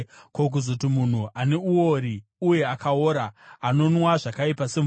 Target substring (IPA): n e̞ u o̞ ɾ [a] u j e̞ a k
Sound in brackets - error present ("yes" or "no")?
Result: yes